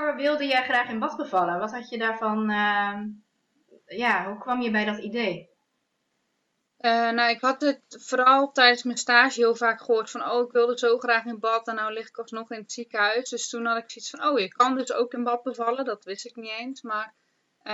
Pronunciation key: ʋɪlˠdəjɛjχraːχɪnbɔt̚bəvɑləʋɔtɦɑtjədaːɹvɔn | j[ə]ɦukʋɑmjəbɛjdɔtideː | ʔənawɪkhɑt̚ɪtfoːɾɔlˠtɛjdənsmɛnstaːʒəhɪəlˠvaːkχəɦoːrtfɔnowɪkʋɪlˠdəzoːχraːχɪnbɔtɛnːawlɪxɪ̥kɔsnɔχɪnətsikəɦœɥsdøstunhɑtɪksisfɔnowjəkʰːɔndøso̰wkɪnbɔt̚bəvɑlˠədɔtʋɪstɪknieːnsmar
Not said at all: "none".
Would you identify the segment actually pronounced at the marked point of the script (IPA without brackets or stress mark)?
a